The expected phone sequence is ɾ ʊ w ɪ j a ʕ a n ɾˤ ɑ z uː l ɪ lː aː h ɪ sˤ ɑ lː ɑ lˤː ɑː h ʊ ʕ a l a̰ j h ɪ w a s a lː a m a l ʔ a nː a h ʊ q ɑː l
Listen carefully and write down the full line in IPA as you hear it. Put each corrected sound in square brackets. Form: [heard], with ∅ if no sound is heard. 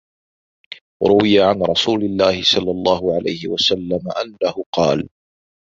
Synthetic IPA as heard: ɾ ʊ w ɪ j a ʕ a n ɾˤ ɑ [s] uː l ɪ lː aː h ɪ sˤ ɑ lː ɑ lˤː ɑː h ʊ ʕ a l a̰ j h ɪ w a s a lː a m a [∅] ʔ a nː a h ʊ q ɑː l

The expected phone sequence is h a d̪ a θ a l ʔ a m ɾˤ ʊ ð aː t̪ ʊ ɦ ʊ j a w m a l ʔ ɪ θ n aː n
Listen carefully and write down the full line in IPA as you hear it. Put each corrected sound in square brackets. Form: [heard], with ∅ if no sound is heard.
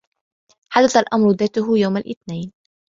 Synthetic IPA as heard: [ħ] a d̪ a θ a l ʔ a m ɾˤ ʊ ð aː t̪ ʊ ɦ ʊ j a w m a l ʔ ɪ θ n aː n

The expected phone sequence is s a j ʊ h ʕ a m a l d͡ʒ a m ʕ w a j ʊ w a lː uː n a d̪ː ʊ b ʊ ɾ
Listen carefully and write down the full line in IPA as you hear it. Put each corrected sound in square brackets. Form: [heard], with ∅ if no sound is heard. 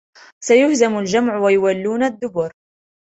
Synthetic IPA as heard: s a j ʊ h [z] a m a l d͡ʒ a m ʕ w a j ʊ w a lː uː n a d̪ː ʊ b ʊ ɾ

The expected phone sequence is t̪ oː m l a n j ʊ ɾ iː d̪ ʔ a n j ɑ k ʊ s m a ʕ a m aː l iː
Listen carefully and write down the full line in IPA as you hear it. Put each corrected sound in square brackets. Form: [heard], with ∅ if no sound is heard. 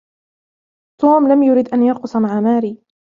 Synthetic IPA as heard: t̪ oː m l a [m] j ʊ ɾ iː d̪ ʔ a n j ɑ [q] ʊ s m a ʕ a m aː [ɾ] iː

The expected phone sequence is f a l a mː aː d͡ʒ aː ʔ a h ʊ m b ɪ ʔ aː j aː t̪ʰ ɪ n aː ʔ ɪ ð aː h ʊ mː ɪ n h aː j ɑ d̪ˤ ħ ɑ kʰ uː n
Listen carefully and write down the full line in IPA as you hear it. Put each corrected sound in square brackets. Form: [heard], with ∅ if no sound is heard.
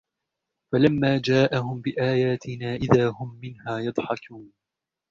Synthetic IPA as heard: f a l a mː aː d͡ʒ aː ʔ a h ʊ m b ɪ ʔ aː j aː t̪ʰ ɪ n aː ʔ ɪ ð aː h ʊ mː ɪ n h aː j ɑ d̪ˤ ħ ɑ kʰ uː n

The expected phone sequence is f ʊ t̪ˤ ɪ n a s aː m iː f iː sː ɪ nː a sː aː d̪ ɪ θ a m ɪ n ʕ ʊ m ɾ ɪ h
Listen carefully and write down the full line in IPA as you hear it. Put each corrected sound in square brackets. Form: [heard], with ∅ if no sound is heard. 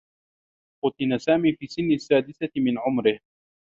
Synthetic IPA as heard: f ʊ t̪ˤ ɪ n a s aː m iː f iː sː ɪ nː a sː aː d̪ ɪ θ a m ɪ n ʕ ʊ m ɾ ɪ h

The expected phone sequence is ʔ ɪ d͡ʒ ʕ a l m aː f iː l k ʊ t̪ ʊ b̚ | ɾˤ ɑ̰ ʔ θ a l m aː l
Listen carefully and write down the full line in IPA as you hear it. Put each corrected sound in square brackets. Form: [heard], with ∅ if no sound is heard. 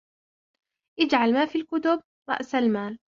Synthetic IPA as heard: ʔ ɪ d͡ʒ ʕ a l m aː f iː l k ʊ t̪ ʊ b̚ | ɾˤ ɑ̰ ʔ [s] a l m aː l

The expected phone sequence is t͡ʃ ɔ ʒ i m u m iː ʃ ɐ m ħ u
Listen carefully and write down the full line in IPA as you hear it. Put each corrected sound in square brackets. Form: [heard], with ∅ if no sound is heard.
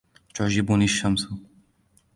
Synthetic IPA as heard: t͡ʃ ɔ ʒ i [b] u [n] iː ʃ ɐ m [s] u

